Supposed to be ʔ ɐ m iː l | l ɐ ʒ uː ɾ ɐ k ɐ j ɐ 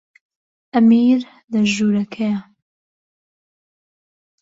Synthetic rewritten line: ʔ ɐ m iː ɾ | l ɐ ʒ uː ɾ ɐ kʰ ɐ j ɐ